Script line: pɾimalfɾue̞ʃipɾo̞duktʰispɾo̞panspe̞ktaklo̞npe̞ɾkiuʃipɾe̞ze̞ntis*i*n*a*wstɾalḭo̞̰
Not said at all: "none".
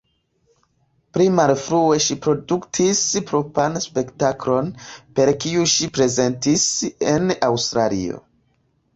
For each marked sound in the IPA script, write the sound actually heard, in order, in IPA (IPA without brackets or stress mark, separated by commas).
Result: e, a